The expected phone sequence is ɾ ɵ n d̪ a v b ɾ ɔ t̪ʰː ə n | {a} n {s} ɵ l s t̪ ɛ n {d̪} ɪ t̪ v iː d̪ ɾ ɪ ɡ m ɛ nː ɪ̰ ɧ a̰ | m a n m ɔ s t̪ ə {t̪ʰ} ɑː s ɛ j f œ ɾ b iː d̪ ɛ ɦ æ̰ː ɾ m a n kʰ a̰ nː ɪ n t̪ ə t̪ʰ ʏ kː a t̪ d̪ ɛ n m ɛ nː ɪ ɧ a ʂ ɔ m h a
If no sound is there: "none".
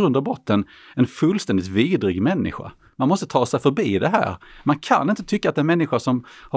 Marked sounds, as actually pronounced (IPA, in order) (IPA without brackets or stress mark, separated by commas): ɛ, f, d̪, t̪ʰ